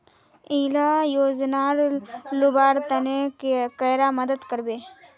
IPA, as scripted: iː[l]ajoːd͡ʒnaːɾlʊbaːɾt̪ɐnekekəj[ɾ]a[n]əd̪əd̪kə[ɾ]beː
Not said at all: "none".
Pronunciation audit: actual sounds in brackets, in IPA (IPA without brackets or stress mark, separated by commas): l, ɾ, m, ɾ